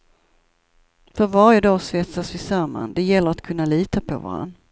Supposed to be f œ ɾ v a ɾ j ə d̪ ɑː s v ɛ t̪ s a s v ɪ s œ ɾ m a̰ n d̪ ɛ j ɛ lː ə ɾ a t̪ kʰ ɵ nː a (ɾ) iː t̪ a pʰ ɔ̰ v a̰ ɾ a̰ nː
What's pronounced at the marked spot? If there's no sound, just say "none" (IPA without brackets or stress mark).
l